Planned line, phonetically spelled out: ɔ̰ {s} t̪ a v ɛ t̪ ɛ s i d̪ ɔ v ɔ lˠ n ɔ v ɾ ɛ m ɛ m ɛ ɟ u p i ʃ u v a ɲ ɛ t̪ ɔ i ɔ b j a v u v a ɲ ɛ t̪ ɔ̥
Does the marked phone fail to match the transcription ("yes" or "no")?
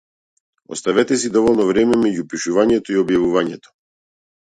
no